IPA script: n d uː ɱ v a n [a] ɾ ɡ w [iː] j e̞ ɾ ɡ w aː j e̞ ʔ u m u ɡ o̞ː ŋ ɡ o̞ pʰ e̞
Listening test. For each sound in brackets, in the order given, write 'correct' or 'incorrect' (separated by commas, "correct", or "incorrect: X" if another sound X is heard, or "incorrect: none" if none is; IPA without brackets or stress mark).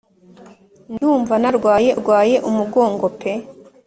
correct, incorrect: aː